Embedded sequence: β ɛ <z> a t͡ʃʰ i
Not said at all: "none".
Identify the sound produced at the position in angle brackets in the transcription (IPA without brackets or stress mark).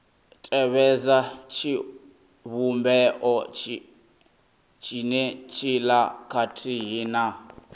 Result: z